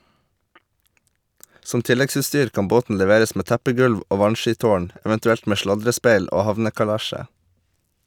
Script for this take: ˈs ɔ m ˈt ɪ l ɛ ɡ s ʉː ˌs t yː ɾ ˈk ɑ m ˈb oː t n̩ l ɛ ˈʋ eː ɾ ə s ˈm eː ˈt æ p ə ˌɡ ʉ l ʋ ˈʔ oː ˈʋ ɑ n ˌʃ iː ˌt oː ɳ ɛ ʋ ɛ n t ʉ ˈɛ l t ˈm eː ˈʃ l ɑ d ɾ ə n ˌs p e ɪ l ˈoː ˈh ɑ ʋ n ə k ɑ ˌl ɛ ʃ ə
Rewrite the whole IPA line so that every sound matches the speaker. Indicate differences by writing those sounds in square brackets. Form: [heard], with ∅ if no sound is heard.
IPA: ˈs ɔ m ˈt ɪ l ɛ ɡ s ʉː ˌs t yː ɾ ˈk ɑ m ˈb oː t n̩ l ɛ ˈʋ eː ɾ ə s ˈm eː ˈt æ p ə ˌɡ ʉ l ʋ ˈʔ oː ˈʋ ɑ n ˌʃ iː ˌt oː ɳ ɛ ʋ ɛ n t ʉ ˈɛ l t ˈm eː ˈʃ l ɑ d ɾ ə [∅] ˌs p e ɪ l ˈoː ˈh ɑ ʋ n ə k ɑ ˌl [æ] ʃ ə